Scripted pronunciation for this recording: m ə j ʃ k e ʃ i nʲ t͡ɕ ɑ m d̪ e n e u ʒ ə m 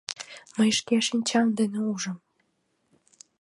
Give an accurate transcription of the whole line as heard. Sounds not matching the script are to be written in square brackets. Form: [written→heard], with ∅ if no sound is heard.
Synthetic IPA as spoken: m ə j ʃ k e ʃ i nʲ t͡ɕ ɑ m d̪ e n e u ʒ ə m